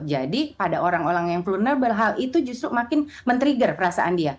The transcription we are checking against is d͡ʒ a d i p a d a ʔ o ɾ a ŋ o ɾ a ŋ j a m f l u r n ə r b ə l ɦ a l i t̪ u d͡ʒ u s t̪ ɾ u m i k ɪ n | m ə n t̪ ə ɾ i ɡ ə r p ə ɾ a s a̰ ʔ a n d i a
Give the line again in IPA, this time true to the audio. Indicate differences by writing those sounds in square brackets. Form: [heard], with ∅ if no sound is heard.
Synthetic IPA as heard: d͡ʒ a d i p a d a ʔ o ɾ a ŋ o ɾ a ŋ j a [ŋ] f l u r n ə r b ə l ɦ a l i t̪ u d͡ʒ u s t̪ ɾ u m [a] k ɪ n | m ə n t̪ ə ɾ i ɡ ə r p ə ɾ a s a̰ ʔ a n d i a